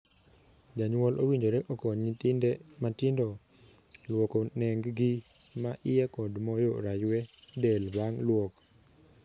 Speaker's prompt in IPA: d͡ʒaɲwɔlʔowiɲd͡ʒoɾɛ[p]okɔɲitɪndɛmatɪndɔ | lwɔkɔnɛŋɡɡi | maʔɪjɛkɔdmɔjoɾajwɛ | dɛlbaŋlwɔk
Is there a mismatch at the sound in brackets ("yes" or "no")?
yes